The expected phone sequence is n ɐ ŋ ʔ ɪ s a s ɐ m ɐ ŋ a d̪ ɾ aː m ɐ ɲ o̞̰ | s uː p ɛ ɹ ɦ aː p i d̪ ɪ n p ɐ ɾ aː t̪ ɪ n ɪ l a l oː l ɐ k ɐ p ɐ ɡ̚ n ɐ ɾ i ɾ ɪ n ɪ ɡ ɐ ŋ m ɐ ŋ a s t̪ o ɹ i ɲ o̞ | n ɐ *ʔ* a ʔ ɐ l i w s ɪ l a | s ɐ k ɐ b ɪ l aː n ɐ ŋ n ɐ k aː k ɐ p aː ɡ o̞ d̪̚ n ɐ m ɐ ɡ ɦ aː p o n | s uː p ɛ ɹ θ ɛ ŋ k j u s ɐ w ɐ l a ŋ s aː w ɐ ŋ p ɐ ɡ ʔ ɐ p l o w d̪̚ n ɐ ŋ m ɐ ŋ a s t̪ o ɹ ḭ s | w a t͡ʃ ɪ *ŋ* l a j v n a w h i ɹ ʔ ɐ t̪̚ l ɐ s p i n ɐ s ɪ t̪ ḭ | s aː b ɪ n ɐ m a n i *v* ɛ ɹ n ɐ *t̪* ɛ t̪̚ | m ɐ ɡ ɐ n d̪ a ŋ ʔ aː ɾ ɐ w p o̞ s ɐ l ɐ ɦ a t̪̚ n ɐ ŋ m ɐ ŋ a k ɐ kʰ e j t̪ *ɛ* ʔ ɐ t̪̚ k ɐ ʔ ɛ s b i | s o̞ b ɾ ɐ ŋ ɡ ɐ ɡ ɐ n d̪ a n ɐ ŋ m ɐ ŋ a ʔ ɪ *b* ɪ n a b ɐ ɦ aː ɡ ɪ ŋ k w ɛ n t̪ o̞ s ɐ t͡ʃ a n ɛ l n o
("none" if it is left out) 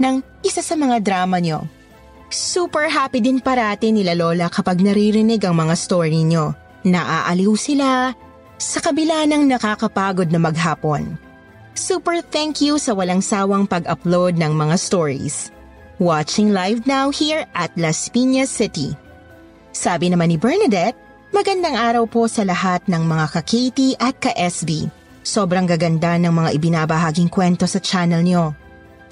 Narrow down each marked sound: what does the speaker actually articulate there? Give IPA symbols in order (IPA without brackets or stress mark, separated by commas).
ʔ, ŋ, b, d̪, i, b